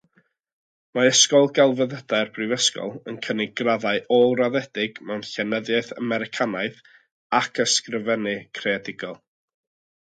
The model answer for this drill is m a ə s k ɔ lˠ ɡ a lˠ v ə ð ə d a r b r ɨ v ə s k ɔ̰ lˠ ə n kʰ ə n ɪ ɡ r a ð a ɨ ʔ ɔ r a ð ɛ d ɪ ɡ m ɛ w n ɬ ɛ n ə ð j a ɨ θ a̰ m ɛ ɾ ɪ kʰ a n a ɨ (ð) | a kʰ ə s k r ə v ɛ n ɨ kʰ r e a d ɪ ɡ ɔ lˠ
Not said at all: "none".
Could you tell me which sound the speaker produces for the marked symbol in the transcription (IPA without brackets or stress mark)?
θ